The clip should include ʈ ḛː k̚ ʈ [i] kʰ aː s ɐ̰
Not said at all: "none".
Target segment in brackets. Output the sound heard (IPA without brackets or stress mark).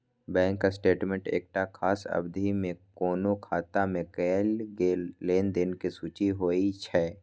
a